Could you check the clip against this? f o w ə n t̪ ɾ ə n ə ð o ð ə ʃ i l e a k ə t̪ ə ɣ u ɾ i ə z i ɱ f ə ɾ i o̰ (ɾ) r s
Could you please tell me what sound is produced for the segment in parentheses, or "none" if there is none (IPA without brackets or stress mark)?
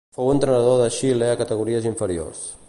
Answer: none